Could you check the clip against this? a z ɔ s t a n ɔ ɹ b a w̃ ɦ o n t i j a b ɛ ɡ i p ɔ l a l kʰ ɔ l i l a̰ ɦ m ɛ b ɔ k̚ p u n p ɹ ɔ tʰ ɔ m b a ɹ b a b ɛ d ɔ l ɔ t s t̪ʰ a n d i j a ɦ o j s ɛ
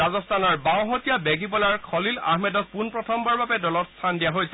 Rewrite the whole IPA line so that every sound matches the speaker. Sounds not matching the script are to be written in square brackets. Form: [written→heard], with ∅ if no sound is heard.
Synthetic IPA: a z ɔ s t a n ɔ ɹ b a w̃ ɦ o [n→∅] t i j a b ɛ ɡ i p ɔ l a [l→ɹ] kʰ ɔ l i l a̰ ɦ m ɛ [b→d] ɔ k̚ p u n p ɹ ɔ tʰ ɔ m b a ɹ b a b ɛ d ɔ l ɔ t s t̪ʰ a n d i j a ɦ o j s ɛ